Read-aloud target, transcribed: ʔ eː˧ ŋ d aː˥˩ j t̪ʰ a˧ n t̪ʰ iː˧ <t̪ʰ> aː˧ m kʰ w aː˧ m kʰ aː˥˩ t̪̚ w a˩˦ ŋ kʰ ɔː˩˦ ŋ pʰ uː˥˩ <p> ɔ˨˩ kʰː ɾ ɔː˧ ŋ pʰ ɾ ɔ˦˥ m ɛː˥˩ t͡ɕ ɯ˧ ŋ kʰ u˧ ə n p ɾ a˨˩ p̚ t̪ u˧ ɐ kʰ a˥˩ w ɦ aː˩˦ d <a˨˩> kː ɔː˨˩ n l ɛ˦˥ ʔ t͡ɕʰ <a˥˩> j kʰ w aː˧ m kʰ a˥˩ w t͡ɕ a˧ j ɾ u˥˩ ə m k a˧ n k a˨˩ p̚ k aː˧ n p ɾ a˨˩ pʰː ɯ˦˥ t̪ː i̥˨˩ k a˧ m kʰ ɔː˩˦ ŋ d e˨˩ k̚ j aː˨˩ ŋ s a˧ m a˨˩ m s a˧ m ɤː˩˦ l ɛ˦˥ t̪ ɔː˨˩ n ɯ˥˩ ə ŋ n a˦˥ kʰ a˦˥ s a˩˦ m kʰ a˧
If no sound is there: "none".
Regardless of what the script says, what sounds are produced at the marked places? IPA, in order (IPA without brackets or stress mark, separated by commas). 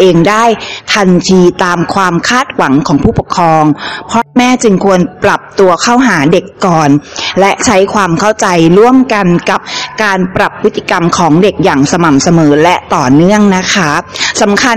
t̪, p, e˨˩, a˦˥